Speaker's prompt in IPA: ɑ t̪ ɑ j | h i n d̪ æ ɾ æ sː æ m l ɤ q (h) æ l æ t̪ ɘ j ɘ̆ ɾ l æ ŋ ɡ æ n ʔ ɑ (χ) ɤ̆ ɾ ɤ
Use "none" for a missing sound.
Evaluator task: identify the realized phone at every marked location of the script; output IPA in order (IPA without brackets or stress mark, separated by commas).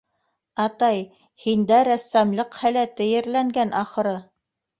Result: h, χ